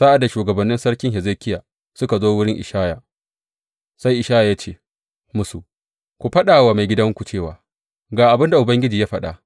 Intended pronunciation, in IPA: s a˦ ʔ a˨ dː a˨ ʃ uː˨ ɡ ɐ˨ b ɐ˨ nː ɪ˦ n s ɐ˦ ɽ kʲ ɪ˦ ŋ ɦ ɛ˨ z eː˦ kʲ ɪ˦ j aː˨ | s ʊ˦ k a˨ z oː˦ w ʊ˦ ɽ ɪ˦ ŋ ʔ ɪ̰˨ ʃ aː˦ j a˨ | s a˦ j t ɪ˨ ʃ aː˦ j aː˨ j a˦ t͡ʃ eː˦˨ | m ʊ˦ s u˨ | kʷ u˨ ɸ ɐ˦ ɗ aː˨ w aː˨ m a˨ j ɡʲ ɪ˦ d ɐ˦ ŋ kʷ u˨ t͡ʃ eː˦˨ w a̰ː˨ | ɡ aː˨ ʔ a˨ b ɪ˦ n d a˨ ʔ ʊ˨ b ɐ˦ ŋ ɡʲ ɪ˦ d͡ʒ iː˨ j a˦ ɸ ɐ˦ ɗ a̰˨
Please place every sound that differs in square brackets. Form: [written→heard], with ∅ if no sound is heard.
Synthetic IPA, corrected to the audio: s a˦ ʔ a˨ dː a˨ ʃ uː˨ ɡ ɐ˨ b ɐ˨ nː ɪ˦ n s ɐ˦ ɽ kʲ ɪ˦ ŋ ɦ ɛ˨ z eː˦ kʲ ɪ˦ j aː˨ | s ʊ˦ k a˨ z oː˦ w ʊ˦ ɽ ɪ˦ ŋ ʔ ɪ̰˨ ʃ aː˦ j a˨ | s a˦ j [t→ʔ] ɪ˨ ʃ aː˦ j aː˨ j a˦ t͡ʃ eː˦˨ | m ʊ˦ s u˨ | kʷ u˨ ɸ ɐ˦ ɗ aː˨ w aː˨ m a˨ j ɡʲ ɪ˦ d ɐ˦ ŋ kʷ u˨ t͡ʃ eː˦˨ w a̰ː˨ | ɡ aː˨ ʔ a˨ b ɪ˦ n d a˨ ʔ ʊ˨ b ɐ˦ ŋ ɡʲ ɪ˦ d͡ʒ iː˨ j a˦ ɸ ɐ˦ ɗ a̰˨